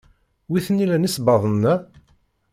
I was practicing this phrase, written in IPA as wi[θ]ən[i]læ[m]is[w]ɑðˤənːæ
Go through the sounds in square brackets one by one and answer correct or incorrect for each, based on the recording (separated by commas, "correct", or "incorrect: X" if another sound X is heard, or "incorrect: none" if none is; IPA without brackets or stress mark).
correct, correct, incorrect: n, incorrect: b